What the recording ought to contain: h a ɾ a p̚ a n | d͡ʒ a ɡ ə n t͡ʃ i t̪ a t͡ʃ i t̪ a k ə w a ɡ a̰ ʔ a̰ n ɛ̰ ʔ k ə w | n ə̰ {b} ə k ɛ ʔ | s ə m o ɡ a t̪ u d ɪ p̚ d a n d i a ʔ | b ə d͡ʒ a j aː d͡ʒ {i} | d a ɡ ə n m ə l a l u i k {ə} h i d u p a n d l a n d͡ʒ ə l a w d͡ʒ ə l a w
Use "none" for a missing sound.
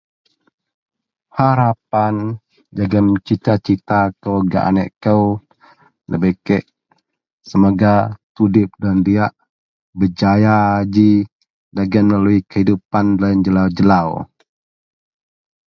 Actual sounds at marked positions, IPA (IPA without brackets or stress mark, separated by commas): b, i, ə